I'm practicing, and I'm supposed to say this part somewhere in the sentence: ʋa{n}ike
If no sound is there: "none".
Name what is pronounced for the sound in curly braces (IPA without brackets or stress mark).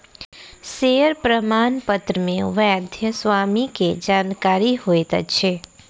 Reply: m